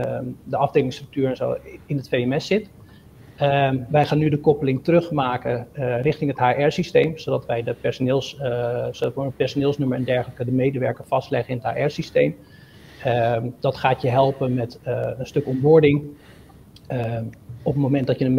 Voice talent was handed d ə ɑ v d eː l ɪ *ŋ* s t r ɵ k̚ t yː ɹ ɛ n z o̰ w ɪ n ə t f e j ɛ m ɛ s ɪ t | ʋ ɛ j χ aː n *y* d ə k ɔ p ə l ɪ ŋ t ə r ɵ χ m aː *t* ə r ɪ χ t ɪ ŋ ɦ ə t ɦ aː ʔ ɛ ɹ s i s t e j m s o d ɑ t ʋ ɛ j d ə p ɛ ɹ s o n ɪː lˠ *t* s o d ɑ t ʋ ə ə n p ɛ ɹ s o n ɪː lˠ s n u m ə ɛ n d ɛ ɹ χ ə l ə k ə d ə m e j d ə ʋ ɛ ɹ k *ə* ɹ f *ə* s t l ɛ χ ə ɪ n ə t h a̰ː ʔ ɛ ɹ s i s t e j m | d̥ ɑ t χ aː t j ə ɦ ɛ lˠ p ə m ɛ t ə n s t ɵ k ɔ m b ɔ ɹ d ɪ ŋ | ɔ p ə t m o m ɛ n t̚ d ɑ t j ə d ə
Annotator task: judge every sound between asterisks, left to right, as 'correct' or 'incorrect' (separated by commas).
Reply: correct, correct, incorrect, incorrect, correct, incorrect